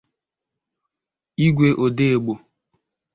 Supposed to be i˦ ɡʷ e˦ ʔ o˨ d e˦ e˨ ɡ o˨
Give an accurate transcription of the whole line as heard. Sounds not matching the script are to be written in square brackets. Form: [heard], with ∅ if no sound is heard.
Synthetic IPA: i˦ ɡʷ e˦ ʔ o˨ d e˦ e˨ [ɡ͡b] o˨